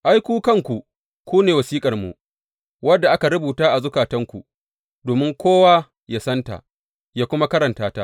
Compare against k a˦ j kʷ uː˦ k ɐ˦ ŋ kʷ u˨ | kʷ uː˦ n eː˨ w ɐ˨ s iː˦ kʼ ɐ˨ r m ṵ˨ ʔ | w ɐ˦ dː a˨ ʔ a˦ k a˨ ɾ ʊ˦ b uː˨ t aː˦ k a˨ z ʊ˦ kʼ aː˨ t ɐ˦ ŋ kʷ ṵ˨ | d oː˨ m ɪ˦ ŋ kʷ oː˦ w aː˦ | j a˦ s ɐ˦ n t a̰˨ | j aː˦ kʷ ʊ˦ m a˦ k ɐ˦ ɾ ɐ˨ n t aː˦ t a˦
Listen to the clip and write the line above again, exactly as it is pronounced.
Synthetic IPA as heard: ʔ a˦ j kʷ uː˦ k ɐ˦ ŋ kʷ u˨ | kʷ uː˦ n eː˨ w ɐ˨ s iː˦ kʼ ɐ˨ r m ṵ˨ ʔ | w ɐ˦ dː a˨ ʔ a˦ k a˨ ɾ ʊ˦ b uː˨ t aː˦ ʔ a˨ z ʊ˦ k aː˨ t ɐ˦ ŋ kʷ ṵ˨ | d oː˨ m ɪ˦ ŋ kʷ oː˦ w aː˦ | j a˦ s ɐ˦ n t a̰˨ | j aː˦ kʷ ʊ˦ m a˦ k ɐ˦ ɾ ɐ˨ n t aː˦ t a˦